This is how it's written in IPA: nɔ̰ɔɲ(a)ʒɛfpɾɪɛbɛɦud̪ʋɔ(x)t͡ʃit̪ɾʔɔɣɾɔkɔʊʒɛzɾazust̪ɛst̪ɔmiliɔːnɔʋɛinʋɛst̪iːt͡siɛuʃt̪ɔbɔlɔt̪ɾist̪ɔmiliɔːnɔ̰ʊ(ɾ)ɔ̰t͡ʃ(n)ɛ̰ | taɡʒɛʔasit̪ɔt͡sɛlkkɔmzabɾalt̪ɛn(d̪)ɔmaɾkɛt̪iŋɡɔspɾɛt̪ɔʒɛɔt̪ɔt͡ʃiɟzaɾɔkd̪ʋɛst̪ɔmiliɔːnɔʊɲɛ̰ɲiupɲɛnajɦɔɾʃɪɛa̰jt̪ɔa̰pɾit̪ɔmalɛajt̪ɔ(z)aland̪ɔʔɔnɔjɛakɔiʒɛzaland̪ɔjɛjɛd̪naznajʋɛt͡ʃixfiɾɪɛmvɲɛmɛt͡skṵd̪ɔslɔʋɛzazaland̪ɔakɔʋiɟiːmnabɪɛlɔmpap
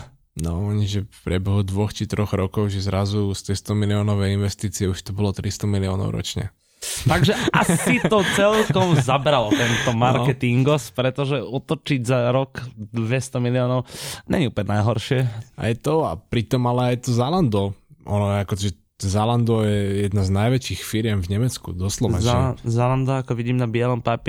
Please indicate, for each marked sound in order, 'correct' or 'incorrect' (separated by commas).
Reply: incorrect, correct, correct, incorrect, incorrect, correct